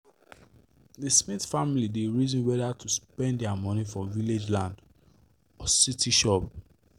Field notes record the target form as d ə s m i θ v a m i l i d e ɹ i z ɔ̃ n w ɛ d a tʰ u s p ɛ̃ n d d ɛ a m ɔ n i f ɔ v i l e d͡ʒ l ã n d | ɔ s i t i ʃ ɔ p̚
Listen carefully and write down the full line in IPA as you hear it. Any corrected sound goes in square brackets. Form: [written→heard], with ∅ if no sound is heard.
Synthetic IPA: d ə s m i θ [v→f] a m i l i d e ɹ i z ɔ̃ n w ɛ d a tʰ u s p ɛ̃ n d d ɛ a m ɔ n i f ɔ v i l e d͡ʒ l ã n d | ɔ s i t i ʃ ɔ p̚